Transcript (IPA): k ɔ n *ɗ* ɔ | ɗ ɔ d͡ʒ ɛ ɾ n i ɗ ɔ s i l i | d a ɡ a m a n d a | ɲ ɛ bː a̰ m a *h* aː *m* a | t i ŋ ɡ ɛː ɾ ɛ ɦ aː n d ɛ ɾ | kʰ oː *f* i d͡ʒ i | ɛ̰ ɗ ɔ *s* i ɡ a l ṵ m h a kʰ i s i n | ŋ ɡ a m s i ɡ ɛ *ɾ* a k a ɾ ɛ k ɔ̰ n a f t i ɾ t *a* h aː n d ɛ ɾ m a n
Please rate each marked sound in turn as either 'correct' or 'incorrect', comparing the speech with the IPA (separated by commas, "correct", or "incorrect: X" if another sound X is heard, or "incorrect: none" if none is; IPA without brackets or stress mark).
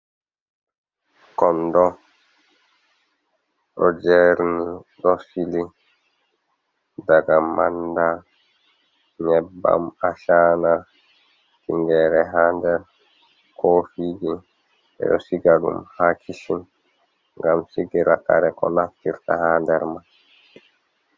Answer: incorrect: d, incorrect: ʃ, incorrect: n, correct, correct, correct, correct